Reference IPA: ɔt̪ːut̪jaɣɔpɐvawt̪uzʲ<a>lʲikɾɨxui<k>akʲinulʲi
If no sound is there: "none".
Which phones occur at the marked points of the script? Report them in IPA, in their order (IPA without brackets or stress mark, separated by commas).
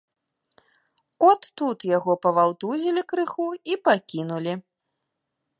i, p